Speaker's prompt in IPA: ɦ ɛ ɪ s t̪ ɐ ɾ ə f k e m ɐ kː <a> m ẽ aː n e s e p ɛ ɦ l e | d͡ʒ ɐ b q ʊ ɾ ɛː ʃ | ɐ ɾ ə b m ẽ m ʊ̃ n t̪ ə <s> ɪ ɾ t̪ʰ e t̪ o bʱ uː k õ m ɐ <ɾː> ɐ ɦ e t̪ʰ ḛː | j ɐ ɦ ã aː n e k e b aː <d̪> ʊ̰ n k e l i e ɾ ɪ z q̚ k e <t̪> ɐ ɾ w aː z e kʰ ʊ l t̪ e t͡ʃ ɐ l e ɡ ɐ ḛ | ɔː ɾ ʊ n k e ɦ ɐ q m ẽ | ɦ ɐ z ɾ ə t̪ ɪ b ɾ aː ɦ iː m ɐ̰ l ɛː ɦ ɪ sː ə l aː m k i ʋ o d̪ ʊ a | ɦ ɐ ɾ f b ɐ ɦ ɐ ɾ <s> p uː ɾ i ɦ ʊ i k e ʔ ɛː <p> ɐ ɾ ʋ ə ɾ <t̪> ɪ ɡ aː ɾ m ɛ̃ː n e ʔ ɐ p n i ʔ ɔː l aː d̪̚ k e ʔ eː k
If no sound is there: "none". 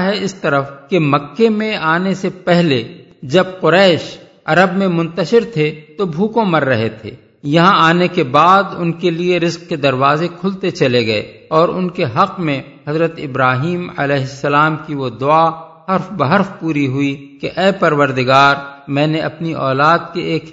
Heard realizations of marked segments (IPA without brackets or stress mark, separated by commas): e, ʃ, ɾː, d̪, d̪, f, p, d̪